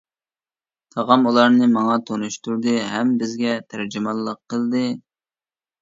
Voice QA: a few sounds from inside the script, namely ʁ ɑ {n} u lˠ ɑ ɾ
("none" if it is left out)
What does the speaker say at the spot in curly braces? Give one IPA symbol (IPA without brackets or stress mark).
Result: m